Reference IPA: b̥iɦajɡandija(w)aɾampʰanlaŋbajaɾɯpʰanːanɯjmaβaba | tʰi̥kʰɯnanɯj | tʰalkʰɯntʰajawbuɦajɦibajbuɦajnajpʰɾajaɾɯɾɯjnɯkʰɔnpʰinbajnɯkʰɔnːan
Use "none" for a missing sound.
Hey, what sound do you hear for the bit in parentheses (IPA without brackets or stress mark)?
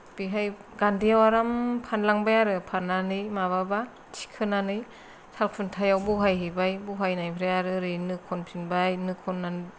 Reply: w